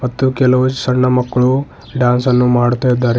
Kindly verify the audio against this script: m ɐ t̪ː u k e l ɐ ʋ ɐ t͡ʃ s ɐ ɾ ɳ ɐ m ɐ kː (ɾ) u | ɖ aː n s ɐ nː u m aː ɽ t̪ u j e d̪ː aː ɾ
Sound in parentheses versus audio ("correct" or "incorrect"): incorrect